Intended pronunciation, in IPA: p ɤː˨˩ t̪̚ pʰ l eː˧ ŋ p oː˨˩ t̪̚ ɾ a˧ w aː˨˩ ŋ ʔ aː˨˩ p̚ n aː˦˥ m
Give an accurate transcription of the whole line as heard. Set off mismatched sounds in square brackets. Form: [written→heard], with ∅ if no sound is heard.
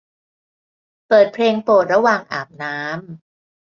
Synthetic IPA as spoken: p ɤː˨˩ t̪̚ pʰ l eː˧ ŋ p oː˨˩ t̪̚ ɾ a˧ w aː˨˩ ŋ ʔ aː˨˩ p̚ n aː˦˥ m